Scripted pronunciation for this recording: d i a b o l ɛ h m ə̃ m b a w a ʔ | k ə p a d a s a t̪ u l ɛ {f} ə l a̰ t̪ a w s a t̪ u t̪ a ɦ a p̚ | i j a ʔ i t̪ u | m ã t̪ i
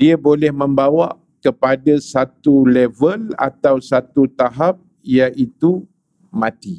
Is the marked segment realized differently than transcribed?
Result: yes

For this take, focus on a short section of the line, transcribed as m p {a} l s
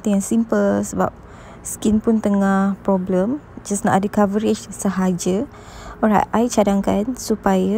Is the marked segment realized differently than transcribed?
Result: yes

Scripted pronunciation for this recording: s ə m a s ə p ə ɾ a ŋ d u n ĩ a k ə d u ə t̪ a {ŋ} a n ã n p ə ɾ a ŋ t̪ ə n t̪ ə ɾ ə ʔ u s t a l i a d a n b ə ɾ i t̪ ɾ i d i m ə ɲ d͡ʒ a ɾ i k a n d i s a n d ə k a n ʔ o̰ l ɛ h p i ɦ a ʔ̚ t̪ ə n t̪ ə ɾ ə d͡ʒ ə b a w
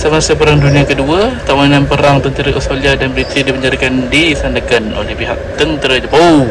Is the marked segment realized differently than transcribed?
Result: yes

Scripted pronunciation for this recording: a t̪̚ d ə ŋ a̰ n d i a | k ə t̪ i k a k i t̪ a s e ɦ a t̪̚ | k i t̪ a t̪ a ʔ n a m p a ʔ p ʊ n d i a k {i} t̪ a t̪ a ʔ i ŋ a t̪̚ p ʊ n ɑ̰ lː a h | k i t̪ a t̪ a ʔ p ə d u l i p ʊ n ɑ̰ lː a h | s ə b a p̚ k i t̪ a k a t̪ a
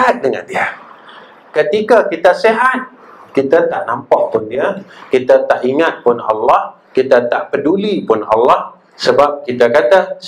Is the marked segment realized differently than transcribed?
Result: no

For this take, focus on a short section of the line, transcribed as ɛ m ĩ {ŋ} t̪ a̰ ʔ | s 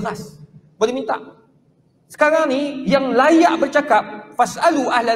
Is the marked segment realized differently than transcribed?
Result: yes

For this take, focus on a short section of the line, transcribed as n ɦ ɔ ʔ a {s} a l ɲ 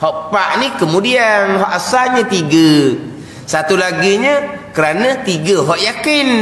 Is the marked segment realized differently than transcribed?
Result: no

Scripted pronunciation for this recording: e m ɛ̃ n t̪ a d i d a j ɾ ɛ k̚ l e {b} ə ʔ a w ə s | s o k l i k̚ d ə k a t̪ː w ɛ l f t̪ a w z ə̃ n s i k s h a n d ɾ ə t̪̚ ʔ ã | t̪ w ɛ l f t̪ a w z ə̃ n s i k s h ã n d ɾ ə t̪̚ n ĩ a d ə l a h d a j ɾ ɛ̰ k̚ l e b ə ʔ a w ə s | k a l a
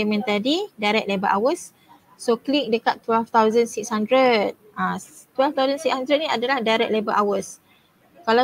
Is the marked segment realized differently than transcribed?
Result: no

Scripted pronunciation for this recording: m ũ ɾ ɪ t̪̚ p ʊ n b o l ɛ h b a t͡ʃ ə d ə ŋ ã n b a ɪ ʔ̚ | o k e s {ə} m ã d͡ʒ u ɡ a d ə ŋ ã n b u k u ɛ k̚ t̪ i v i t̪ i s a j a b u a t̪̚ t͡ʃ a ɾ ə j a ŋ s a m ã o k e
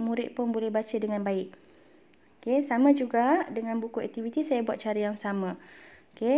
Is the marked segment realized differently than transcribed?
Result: yes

